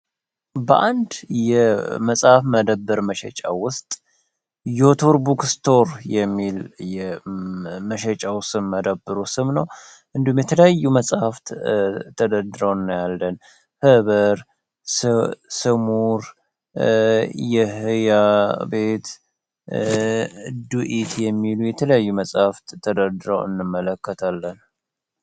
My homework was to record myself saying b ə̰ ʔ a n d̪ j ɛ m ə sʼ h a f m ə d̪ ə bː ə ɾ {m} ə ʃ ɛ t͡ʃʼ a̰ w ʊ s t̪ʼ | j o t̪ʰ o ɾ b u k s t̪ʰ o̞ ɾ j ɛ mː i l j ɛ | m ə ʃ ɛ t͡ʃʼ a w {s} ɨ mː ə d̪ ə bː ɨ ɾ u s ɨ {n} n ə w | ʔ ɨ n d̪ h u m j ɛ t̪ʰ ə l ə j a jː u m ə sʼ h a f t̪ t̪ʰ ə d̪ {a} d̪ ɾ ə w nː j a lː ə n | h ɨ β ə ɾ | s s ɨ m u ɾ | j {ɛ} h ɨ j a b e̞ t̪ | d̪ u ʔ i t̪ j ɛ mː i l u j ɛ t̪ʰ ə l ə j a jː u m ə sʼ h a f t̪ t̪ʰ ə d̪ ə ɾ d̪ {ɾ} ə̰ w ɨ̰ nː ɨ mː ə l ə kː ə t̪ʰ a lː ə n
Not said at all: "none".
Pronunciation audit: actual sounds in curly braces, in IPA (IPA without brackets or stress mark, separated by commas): m, s, m, ə, ɛ, ɾ